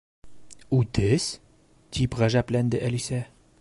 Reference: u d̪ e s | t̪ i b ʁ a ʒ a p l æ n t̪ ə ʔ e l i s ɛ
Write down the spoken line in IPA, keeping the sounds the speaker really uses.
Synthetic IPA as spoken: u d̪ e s | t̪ i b ʁ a ʒ a p l ɛ n d̪ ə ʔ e l i s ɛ